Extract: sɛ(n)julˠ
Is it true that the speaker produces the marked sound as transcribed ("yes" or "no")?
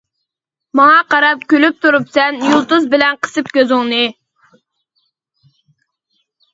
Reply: yes